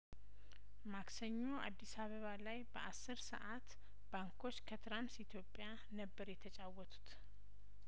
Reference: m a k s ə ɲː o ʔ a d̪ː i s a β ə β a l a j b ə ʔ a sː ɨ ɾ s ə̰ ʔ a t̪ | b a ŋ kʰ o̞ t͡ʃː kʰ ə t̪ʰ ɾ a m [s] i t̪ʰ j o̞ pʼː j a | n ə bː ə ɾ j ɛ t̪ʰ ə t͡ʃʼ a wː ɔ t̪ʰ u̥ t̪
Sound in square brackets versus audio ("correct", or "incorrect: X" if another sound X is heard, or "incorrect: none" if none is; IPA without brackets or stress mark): correct